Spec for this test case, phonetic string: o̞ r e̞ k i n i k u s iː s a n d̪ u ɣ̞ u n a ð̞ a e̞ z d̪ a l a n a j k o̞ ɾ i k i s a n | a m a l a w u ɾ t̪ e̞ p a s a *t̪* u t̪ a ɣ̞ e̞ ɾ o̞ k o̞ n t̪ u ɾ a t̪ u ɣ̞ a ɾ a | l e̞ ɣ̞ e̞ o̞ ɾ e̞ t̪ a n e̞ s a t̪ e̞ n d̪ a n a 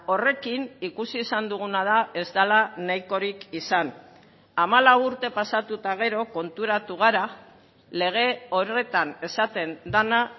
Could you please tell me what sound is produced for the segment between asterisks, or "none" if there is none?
t̪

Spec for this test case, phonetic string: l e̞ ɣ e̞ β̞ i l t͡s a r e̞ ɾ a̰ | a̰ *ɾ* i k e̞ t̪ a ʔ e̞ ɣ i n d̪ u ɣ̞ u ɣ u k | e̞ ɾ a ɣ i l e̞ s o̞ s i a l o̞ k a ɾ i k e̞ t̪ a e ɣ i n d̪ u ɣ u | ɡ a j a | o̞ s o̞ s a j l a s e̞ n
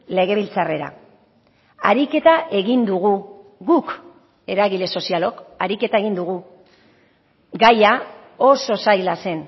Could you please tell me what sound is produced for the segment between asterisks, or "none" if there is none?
ɾ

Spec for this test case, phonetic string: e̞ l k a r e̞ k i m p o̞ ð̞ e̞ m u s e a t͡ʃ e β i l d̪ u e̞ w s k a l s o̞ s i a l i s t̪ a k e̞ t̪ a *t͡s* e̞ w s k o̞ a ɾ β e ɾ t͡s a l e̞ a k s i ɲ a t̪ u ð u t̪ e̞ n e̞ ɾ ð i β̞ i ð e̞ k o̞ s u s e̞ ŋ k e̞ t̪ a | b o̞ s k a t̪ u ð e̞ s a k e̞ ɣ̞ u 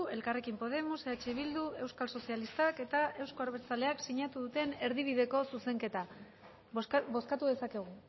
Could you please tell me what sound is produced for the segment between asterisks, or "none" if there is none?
none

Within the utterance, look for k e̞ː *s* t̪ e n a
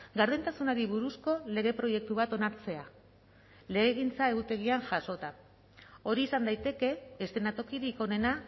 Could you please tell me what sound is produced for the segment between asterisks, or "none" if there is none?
s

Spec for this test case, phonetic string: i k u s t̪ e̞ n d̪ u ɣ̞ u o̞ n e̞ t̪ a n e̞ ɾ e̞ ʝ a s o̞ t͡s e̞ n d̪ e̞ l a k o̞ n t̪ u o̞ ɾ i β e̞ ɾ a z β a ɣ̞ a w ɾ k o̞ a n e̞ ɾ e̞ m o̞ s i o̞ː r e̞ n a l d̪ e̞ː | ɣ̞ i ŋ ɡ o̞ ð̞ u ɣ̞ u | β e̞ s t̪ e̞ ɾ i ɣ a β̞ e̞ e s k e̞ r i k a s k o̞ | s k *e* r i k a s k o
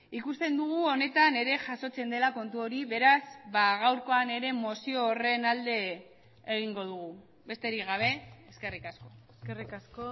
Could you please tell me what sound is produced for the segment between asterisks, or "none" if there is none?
e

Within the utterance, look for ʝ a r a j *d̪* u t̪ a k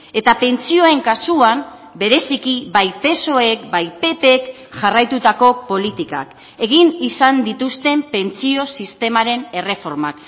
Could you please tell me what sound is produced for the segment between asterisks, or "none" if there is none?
t̪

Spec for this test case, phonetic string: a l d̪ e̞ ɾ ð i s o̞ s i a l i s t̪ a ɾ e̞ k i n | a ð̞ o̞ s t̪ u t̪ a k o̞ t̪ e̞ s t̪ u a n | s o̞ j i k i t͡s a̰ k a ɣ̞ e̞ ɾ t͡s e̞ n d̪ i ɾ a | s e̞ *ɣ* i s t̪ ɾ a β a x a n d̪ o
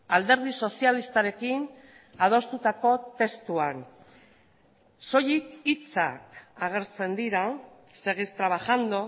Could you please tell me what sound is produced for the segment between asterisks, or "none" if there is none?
ɣ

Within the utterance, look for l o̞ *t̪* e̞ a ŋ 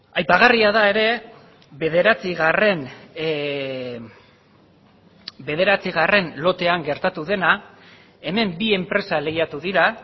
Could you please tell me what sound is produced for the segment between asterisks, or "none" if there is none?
t̪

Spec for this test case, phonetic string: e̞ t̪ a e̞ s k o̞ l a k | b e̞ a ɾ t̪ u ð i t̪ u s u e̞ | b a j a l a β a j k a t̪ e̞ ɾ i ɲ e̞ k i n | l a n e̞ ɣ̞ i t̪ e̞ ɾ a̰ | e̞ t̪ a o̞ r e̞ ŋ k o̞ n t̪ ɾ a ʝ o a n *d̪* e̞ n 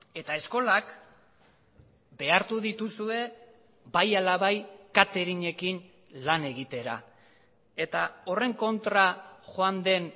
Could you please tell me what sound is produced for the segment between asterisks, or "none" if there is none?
d̪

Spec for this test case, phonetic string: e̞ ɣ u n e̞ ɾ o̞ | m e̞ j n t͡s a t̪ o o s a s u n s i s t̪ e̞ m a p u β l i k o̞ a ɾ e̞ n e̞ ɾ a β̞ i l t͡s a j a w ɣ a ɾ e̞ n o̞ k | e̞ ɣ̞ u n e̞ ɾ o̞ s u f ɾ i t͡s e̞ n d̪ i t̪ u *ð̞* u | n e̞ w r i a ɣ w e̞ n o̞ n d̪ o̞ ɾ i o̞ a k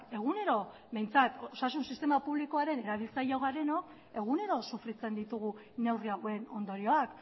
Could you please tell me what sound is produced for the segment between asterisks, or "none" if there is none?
ɣ̞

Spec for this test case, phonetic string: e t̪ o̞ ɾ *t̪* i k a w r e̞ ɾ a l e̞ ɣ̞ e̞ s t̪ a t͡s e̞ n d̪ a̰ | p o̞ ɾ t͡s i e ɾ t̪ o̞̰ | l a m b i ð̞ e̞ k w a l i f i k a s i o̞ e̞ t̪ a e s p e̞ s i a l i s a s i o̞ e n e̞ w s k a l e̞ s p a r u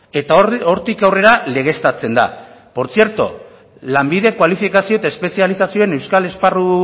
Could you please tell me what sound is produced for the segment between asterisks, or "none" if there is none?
t̪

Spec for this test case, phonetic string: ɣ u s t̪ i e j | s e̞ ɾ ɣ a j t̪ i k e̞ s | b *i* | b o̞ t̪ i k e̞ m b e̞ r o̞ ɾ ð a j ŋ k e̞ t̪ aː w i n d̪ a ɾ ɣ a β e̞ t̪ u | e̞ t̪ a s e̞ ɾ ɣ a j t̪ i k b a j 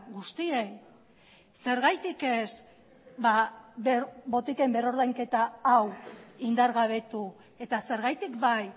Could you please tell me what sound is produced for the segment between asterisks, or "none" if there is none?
a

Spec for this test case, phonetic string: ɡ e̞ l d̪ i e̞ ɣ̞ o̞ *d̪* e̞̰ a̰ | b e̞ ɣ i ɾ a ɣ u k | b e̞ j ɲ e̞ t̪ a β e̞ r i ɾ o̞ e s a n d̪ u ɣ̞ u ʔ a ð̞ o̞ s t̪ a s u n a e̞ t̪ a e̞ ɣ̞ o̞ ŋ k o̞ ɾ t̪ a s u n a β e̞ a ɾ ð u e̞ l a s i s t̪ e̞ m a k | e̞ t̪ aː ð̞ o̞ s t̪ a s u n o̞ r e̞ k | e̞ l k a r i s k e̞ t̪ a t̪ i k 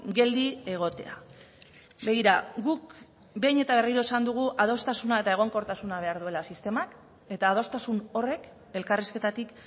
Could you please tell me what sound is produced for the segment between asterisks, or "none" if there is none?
t̪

